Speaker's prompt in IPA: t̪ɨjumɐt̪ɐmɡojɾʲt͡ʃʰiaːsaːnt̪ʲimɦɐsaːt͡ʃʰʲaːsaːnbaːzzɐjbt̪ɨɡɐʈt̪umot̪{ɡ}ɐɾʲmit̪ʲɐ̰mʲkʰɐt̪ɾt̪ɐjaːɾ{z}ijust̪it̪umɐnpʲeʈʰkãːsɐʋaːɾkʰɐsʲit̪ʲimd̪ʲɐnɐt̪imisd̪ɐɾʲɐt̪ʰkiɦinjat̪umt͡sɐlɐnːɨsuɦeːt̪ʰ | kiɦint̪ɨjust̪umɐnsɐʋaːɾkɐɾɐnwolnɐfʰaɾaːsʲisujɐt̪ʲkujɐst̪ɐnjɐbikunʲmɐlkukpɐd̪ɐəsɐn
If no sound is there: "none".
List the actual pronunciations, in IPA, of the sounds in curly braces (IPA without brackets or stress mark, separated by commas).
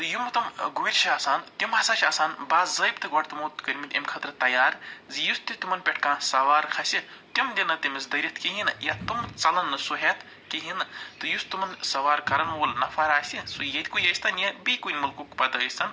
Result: k, z